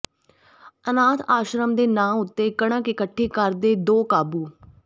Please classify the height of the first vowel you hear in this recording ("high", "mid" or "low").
mid